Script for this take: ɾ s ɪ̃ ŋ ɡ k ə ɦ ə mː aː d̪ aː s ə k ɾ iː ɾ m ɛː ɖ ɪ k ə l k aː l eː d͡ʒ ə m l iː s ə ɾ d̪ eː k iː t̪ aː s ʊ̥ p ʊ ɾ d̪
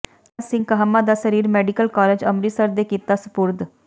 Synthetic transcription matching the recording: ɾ s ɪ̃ ŋ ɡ k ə ɦ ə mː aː d̪ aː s ə ɾ iː ɾ m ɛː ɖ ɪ k ə l k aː l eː d͡ʒ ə m ɾ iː s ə ɾ d̪ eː k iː t̪ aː s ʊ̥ p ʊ ɾ d̪